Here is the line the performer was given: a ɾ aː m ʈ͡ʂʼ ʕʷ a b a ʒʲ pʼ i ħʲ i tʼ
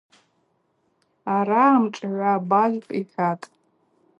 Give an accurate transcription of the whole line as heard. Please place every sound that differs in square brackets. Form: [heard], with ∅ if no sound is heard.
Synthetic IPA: a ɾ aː m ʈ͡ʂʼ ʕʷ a b a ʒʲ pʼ i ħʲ [a] tʼ